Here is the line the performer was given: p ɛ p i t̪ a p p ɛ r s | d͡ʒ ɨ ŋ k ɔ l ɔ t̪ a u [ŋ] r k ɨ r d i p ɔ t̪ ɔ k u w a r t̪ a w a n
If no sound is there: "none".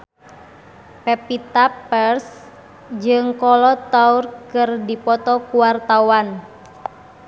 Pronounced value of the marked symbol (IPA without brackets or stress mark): none